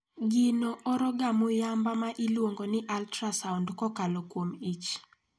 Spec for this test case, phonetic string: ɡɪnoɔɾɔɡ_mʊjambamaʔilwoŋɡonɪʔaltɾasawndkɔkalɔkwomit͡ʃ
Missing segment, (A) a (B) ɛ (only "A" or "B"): A